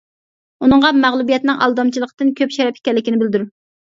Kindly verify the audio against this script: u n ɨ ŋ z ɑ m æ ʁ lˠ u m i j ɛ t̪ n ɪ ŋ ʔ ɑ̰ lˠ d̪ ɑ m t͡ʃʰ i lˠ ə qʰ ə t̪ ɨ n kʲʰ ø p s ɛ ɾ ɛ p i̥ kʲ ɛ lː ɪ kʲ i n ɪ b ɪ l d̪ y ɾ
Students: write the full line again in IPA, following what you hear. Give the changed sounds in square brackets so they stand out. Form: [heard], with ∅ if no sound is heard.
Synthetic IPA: u n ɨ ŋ [ʁ] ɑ m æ ʁ lˠ u [b] i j ɛ t̪ n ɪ ŋ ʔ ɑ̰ lˠ d̪ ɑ m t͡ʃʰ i lˠ ə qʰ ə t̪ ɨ n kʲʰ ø p [ʃ] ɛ ɾ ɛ p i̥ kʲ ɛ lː ɪ kʲ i n ɪ b ɪ l d̪ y ɾ